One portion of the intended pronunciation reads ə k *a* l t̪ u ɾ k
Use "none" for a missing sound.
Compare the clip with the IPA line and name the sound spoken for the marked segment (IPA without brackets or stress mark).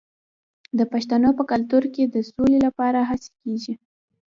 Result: a